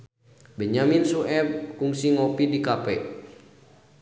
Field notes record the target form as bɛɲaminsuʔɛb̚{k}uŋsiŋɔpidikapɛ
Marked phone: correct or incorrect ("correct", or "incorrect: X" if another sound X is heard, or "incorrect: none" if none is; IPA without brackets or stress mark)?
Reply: correct